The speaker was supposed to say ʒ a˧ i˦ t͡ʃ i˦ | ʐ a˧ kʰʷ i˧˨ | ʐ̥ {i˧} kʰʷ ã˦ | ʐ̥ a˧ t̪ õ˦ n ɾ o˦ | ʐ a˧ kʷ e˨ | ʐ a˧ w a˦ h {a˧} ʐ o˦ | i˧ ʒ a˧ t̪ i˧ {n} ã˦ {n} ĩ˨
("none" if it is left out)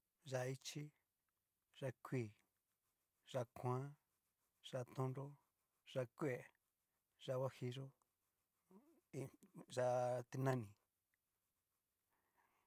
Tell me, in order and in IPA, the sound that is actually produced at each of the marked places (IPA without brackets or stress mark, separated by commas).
a˧, i˧, n, n